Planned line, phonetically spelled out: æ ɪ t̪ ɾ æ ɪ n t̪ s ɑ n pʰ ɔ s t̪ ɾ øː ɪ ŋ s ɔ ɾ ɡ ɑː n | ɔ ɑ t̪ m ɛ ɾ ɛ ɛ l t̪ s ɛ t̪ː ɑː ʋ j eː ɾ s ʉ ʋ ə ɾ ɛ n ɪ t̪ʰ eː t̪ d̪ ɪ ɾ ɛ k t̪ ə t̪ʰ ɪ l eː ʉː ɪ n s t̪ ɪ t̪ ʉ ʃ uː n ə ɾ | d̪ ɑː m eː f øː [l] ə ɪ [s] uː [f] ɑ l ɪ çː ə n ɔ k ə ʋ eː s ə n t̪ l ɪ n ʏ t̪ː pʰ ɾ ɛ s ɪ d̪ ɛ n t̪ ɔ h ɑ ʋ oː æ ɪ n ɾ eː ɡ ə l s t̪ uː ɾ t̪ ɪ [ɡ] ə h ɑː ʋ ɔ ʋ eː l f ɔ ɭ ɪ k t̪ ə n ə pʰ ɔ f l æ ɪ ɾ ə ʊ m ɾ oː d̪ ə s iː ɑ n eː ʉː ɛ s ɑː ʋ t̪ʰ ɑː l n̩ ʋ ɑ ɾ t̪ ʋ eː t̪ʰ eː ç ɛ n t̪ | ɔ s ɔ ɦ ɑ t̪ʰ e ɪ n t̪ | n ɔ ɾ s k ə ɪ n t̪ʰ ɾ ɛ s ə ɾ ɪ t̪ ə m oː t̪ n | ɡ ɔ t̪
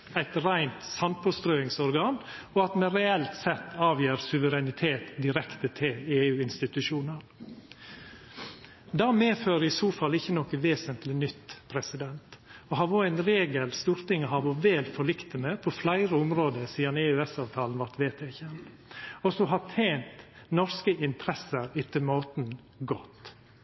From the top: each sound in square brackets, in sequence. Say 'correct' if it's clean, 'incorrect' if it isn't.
incorrect, correct, correct, incorrect

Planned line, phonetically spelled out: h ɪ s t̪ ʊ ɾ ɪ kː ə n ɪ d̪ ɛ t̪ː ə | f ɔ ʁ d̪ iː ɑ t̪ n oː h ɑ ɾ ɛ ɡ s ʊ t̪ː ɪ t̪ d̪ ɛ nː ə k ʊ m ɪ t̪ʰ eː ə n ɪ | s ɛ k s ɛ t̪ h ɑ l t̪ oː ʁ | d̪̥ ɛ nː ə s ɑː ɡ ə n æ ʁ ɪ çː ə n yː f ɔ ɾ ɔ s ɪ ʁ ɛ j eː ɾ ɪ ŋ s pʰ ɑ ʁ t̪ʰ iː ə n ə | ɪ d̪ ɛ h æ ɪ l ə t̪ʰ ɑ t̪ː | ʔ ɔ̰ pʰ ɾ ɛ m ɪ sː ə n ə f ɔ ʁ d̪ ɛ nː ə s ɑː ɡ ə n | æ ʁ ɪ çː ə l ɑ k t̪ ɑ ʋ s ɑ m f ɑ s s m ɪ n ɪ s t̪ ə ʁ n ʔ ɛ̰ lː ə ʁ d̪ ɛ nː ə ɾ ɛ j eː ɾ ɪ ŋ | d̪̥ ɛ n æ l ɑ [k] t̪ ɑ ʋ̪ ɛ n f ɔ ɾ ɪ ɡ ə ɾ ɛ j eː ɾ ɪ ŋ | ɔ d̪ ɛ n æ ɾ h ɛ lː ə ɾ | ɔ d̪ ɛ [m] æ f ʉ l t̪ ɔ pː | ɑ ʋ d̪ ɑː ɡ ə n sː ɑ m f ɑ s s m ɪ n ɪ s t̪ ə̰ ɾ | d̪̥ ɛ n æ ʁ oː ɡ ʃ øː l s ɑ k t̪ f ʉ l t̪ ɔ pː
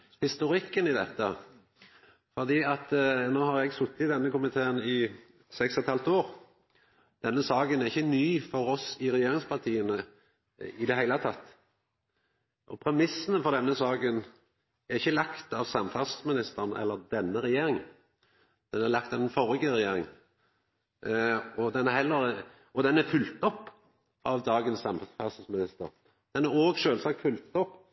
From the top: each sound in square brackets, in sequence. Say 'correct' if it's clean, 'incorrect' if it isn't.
correct, incorrect

